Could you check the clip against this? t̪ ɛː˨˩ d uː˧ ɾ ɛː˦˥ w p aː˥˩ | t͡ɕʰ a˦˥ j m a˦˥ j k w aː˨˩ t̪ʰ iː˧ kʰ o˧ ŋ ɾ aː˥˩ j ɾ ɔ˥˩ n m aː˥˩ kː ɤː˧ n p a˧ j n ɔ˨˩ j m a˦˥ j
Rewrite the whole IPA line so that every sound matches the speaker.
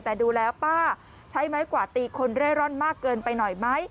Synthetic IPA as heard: t̪ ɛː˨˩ d uː˧ l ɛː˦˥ w p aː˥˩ | t͡ɕʰ a˦˥ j m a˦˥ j k w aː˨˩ t̪ iː˧ kʰ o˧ n ɾ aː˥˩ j ɾ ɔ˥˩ n m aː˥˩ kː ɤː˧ n p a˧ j n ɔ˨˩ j m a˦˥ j